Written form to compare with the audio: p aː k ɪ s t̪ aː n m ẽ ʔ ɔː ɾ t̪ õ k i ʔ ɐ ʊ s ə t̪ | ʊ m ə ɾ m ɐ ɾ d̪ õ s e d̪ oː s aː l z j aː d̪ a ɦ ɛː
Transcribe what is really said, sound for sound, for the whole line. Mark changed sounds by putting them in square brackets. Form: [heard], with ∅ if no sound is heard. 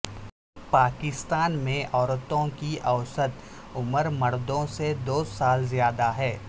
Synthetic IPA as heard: p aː k ɪ s t̪ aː n m ẽ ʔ ɔː ɾ t̪ õ k i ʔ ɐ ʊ s ə t̪ | ʊ m ə ɾ m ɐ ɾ d̪ õ s e d̪ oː s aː l z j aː d̪ a ɦ ɛː